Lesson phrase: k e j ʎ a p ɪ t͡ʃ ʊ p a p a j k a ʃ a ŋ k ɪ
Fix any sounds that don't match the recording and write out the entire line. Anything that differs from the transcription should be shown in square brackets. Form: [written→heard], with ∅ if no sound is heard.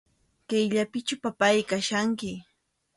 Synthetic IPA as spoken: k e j ʎ a p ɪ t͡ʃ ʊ p a p a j k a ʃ a ŋ k ɪ